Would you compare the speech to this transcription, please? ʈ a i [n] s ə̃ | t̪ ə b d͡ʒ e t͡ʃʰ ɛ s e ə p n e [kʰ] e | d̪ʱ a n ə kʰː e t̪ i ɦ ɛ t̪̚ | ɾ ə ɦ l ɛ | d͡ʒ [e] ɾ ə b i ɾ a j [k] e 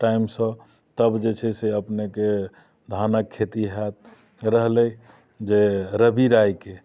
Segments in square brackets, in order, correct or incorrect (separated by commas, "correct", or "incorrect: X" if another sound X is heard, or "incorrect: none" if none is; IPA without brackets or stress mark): incorrect: m, incorrect: k, correct, correct